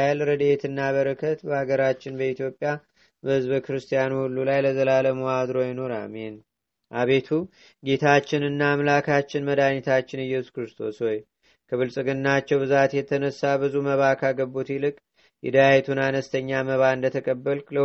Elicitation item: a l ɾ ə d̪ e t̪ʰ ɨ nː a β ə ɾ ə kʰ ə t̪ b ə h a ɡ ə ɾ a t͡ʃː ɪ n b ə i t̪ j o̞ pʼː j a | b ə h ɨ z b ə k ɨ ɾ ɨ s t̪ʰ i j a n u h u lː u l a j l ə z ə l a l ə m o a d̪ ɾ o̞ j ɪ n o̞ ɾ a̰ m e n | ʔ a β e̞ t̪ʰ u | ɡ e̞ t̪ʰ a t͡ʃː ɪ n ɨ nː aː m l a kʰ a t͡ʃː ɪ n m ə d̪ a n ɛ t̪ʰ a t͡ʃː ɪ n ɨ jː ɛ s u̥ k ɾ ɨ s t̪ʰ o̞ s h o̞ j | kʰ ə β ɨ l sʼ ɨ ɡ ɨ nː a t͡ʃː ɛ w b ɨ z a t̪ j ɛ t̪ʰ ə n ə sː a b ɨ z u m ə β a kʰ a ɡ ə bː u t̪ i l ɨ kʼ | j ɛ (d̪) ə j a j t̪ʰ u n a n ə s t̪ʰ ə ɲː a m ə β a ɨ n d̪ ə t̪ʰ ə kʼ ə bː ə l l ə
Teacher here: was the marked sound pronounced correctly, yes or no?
yes